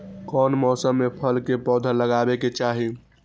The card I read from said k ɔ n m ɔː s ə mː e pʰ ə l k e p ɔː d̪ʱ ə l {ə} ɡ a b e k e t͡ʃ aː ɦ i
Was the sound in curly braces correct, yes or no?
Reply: yes